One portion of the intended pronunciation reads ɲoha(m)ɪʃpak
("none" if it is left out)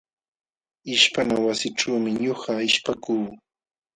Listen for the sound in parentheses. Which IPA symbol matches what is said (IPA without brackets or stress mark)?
none